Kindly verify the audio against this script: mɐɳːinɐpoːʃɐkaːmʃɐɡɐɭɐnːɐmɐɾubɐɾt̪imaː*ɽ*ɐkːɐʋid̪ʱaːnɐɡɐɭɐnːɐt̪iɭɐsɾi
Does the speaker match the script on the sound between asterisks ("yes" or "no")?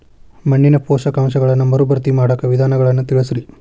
yes